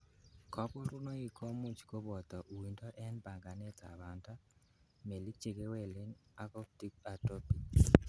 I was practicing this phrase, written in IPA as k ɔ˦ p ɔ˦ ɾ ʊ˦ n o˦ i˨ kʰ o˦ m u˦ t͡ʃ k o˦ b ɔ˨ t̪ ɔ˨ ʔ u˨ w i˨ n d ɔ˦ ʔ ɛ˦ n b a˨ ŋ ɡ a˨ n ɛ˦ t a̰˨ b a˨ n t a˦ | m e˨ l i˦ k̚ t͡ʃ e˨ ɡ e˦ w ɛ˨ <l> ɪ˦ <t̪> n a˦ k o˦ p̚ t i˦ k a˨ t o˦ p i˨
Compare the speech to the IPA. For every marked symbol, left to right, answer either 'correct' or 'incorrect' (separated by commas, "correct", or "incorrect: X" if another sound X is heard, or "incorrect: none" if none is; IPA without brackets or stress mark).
correct, incorrect: none